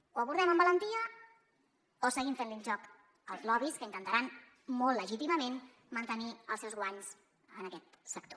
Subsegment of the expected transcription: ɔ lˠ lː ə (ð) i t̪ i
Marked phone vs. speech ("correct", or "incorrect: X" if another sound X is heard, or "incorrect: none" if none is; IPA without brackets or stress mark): incorrect: ʒ